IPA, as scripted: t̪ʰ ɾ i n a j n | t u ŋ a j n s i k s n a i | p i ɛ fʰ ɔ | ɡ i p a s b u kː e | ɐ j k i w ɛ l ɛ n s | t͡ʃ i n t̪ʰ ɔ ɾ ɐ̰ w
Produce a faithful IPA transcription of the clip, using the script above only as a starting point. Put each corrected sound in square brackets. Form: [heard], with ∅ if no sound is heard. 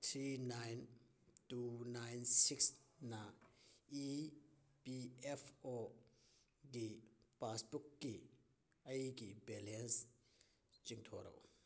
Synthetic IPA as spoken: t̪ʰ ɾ i n a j n | t u [n] a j n s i k s n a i | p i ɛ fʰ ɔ | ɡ i p a s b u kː [i] | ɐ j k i [b] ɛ l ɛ n s | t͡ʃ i [ŋ] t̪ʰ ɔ ɾ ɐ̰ w